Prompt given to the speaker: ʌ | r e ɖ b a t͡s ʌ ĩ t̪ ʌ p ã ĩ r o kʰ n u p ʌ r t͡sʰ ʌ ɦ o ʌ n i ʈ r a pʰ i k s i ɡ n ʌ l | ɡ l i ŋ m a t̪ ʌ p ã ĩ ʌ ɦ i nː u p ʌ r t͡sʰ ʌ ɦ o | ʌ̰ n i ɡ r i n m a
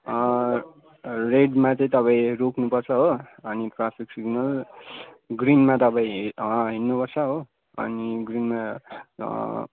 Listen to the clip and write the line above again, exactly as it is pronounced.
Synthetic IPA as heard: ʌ | r e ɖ m a t͡s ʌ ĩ t̪ ʌ p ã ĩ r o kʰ n u p ʌ r t͡sʰ ʌ ɦ o ʌ n i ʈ r a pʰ i k s i ɡ n ʌ l | ɡ r i n m a t̪ ʌ p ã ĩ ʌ ɦ i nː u p ʌ r t͡sʰ ʌ ɦ o | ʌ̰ n i ɡ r i n m a